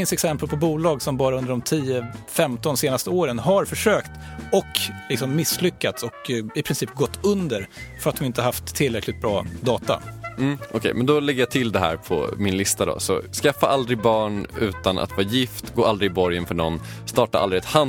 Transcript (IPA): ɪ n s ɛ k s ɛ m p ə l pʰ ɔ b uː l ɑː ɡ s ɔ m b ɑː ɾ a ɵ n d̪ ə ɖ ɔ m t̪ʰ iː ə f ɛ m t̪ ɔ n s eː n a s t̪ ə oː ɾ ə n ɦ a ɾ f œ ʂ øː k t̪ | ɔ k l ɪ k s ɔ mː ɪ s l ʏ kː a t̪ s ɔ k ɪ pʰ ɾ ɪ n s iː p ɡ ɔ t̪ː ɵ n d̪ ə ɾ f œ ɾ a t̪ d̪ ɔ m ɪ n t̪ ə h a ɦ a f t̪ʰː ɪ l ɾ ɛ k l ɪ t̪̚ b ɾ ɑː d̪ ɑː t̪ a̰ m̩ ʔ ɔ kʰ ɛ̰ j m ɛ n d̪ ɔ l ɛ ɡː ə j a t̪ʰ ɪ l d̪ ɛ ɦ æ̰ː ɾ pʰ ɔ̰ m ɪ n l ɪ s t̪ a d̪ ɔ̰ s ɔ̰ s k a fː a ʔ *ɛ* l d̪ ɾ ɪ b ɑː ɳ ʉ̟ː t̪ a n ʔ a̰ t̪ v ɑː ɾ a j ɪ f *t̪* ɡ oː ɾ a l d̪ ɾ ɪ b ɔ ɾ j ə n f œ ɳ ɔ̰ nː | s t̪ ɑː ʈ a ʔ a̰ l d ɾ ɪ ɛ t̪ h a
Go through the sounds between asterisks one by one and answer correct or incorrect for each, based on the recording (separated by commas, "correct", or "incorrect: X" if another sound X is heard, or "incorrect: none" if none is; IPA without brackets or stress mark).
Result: incorrect: a, correct